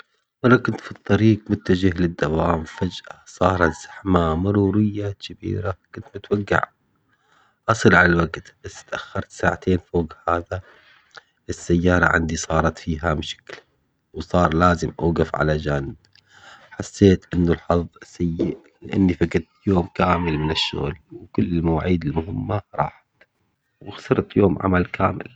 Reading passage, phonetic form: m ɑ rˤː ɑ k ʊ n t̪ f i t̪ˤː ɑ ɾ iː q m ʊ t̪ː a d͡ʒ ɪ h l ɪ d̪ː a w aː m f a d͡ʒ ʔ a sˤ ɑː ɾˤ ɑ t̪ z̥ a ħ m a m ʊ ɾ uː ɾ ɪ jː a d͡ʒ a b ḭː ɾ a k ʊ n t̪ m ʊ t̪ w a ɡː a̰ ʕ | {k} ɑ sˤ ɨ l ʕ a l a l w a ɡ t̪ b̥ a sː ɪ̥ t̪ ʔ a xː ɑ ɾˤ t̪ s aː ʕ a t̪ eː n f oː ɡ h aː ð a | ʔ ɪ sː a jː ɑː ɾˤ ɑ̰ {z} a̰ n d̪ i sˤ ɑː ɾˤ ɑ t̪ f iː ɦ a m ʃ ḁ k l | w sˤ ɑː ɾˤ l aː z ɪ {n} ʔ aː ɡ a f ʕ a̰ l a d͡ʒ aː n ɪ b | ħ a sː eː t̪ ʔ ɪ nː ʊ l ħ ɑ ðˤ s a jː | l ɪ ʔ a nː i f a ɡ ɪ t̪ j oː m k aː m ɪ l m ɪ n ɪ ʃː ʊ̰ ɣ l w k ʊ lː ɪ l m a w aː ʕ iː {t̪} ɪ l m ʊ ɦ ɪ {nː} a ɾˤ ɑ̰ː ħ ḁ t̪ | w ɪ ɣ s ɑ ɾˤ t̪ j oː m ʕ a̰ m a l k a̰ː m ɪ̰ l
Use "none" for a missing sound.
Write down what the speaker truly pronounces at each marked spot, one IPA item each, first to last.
ʔ, ʕ, m, d̪, mː

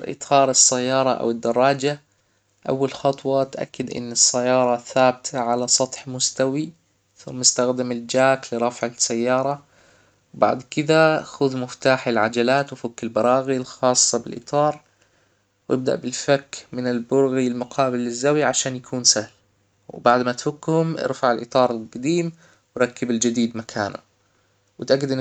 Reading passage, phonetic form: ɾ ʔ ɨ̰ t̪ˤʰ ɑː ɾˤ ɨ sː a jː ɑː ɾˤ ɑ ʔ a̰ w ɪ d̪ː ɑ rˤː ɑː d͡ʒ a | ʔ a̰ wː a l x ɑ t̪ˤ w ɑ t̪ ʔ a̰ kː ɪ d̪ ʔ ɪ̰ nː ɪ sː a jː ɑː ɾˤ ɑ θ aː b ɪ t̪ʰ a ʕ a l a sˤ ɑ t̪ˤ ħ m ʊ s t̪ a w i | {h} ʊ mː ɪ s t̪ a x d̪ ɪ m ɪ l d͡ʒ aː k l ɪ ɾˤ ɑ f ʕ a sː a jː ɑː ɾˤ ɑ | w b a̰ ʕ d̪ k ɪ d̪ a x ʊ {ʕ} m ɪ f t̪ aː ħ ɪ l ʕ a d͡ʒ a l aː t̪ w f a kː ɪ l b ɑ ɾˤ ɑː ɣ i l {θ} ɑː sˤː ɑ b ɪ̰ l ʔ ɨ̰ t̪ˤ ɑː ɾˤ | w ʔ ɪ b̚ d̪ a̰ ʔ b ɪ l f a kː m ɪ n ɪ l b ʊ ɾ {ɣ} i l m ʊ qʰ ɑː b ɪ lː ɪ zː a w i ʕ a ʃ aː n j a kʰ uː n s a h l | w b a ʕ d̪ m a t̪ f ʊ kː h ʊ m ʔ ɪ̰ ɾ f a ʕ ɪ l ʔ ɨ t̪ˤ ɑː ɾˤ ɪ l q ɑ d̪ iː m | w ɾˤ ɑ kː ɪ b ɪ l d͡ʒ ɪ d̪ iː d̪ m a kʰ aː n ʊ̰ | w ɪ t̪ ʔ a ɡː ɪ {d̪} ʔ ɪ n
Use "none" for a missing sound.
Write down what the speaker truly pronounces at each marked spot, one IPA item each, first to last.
θ, ð, x, ɣ, d̪

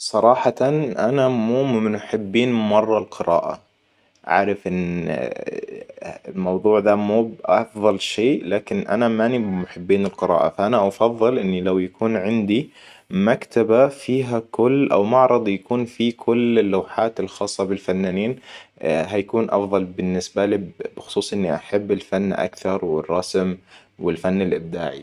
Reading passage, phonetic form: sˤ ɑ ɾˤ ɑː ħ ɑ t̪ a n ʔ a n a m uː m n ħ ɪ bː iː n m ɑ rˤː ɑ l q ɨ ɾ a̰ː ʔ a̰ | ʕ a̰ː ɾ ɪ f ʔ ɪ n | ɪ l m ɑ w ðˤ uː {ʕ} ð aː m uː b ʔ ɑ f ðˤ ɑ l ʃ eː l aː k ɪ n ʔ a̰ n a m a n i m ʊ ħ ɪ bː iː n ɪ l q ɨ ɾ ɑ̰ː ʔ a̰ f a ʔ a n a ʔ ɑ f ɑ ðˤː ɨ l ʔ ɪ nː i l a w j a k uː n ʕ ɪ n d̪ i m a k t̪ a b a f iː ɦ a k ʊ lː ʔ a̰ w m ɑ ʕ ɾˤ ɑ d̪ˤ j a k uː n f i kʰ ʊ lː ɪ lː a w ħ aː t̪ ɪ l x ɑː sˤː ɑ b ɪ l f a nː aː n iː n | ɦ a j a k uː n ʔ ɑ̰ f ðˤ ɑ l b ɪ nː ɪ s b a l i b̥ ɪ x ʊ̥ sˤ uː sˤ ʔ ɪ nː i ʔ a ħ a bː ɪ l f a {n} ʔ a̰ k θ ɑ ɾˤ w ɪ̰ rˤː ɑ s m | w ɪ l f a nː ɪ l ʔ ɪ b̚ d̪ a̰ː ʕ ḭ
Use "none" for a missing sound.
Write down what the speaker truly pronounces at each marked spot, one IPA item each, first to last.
ʕ, nː

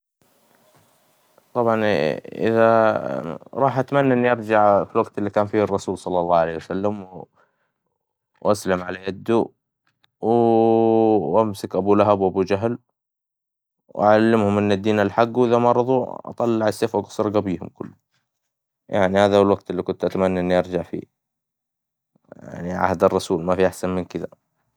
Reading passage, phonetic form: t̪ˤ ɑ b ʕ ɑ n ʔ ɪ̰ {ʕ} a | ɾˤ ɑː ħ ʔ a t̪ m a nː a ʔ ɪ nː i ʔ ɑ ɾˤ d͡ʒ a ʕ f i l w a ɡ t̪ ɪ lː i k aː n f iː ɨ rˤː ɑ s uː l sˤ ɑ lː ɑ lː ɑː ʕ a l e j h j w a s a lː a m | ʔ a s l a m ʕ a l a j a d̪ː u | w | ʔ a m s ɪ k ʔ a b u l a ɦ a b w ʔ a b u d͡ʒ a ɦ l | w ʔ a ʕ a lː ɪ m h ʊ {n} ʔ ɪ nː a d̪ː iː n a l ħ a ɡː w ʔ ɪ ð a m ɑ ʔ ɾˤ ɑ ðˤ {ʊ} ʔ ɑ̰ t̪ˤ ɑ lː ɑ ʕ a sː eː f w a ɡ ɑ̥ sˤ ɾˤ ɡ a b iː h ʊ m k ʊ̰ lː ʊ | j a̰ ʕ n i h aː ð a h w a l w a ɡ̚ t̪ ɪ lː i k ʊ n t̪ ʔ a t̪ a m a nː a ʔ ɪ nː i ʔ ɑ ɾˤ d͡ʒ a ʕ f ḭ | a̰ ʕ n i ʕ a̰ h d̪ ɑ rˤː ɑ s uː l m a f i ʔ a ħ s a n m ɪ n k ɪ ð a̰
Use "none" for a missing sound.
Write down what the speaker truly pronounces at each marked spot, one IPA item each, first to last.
ð, m, u

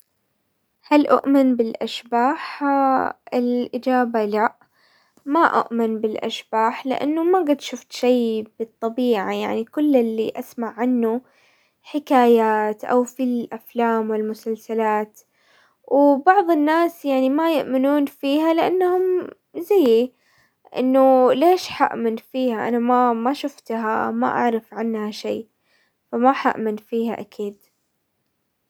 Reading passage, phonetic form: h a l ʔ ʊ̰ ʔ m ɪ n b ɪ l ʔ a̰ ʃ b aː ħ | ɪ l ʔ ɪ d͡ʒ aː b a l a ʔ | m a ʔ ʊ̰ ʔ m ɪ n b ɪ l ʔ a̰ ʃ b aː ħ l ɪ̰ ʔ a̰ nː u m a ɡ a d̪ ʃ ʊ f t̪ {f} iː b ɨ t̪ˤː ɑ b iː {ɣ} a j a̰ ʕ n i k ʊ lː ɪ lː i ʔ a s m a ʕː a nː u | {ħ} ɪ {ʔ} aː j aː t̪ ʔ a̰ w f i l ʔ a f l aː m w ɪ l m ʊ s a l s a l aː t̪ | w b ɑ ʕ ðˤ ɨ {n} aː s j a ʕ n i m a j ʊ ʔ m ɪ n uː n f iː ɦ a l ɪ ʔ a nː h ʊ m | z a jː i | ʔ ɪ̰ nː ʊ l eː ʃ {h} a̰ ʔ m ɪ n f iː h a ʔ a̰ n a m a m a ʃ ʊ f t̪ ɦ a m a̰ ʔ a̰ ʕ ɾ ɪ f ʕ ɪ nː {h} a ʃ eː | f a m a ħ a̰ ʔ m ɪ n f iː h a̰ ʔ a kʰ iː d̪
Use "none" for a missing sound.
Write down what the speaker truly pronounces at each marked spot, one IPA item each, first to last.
ʃ, ʕ, ħ, k, nː, ħ, h

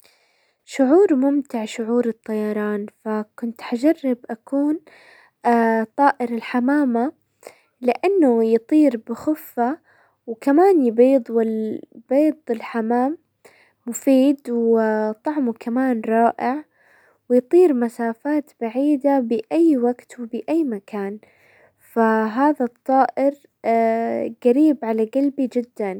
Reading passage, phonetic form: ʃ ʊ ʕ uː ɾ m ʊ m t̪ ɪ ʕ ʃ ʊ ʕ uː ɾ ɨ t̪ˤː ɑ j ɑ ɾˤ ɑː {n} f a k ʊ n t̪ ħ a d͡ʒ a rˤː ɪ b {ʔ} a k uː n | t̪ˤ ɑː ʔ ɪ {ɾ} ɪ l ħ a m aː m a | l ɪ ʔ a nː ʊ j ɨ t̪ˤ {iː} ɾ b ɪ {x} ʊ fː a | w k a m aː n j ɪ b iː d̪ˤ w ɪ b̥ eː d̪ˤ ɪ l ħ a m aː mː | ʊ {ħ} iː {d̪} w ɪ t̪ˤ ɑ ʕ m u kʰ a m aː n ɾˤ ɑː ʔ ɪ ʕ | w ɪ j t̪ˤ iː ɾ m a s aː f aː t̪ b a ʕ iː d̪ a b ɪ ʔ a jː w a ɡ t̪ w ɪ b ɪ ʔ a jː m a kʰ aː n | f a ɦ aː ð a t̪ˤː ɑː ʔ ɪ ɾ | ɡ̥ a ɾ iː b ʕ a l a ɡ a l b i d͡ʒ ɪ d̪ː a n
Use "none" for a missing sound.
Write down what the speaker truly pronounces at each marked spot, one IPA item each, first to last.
n, ʔ, ɾ, iː, x, f, d̪

